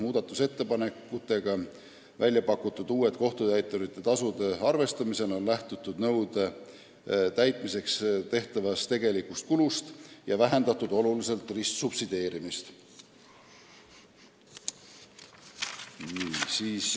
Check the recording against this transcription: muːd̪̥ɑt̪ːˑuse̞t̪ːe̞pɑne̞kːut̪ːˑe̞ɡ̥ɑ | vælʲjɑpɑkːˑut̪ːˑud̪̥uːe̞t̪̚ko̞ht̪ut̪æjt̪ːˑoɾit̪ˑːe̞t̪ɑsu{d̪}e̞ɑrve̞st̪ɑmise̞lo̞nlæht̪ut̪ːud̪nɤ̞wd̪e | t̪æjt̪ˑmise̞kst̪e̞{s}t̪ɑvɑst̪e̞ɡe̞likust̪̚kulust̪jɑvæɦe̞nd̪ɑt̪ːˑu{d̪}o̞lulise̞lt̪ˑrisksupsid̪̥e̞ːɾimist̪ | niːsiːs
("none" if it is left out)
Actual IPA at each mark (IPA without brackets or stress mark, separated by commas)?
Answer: d̪, h, d̪